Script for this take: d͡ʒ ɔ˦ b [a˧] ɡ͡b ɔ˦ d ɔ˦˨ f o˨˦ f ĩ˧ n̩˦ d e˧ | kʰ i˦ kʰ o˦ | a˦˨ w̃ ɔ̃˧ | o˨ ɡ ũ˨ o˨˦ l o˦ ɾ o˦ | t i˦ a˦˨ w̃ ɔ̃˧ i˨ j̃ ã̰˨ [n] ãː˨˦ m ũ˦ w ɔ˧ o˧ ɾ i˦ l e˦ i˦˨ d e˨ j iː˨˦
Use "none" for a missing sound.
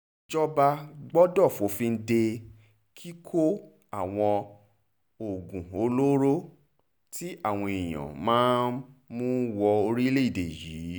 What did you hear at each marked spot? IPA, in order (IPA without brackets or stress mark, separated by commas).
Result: a˧, m